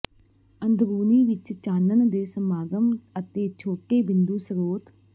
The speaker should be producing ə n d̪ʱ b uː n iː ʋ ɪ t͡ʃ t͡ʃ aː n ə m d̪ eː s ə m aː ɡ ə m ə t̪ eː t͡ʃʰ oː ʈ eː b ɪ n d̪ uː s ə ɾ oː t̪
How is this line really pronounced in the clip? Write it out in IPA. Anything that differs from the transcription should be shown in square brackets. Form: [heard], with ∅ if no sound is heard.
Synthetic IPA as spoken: ə n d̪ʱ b uː n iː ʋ ɪ t͡ʃ t͡ʃ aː n ə [n] d̪ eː s ə m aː ɡ ə m ə t̪ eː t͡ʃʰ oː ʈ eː b ɪ n d̪ uː s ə ɾ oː t̪